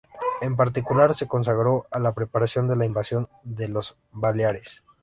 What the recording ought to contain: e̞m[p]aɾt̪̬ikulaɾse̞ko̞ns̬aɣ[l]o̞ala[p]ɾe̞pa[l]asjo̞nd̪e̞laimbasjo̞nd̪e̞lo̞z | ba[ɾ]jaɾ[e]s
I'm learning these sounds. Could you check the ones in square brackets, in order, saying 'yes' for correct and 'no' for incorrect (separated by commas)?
yes, no, yes, no, no, yes